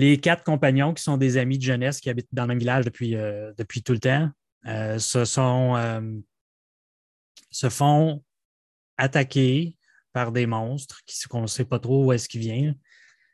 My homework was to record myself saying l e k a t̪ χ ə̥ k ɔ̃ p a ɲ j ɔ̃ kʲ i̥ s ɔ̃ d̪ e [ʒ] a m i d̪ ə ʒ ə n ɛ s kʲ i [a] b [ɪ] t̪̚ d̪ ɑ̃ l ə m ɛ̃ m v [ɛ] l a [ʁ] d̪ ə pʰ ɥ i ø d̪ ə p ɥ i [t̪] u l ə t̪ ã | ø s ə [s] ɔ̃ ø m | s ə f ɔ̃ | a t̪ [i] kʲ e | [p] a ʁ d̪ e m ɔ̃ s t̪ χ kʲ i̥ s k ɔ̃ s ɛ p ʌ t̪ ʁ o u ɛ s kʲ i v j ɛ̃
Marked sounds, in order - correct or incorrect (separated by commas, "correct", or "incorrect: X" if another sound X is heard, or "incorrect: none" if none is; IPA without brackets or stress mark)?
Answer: incorrect: z, correct, correct, incorrect: i, incorrect: ʒ, correct, correct, incorrect: a, correct